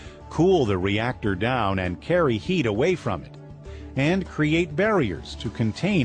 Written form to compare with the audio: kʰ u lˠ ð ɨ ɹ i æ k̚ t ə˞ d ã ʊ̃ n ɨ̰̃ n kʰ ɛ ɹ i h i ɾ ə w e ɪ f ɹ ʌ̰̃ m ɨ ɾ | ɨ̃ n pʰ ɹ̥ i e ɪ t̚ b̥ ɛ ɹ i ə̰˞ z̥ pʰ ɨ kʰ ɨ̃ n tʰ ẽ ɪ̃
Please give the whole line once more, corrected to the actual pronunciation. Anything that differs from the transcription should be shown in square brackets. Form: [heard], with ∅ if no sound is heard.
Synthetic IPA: kʰ u lˠ ð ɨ ɹ i æ k̚ t ə˞ d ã ʊ̃ n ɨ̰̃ n kʰ ɛ ɹ i h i ɾ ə w e ɪ f ɹ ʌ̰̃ m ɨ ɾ | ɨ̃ n [kʰ] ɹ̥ i e ɪ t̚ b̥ ɛ ɹ i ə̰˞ z̥ [tʰ] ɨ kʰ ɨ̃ n tʰ ẽ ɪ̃